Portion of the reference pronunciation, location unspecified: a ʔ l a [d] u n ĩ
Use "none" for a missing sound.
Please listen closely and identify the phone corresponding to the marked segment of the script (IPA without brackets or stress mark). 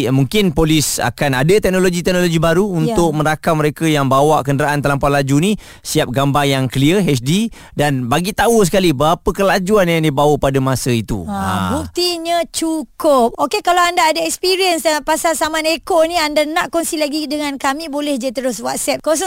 d͡ʒ